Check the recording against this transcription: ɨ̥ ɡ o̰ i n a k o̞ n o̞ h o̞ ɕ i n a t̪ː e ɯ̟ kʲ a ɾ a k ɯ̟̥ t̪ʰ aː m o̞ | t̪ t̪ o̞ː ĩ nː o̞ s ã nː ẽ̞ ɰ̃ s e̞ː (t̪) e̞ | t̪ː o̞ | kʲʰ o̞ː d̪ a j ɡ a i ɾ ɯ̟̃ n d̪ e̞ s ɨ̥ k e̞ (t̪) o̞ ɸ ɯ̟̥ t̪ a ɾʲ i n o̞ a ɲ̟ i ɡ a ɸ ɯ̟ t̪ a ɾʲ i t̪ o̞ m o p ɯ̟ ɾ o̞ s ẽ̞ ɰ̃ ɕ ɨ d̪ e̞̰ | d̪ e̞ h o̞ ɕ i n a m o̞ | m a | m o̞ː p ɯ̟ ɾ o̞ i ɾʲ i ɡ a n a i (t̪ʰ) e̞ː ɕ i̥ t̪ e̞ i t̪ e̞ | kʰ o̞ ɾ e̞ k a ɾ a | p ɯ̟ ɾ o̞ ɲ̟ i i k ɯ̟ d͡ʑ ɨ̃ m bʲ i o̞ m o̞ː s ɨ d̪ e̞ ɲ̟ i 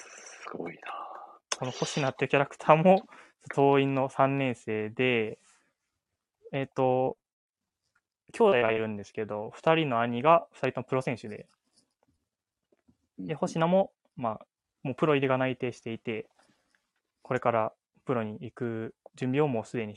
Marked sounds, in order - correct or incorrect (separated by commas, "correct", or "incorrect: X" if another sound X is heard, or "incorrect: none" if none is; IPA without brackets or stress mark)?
incorrect: d̪, incorrect: d̪, incorrect: t̪